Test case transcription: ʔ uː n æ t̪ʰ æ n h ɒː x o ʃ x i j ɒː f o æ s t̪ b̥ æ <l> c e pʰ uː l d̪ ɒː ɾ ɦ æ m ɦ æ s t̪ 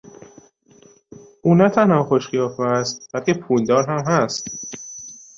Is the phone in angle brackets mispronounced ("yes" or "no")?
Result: no